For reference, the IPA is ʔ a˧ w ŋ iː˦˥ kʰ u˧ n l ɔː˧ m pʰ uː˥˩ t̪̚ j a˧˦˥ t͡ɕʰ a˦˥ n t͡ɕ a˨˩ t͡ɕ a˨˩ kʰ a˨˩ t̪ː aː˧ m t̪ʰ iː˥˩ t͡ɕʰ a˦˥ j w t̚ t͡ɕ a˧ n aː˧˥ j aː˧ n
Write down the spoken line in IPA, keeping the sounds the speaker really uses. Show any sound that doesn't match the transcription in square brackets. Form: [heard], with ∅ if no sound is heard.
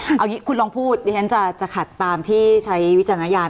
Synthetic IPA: ʔ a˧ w ŋ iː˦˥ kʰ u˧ n l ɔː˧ [ŋ] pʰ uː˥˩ t̪̚ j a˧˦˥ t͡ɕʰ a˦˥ n t͡ɕ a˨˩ t͡ɕ a˨˩ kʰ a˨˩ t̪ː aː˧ m t̪ʰ iː˥˩ t͡ɕʰ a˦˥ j w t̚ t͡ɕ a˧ n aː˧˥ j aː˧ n